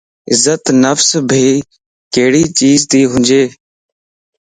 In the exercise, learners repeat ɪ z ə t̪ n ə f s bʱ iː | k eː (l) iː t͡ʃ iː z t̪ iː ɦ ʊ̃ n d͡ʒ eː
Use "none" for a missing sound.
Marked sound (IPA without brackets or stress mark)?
ɽ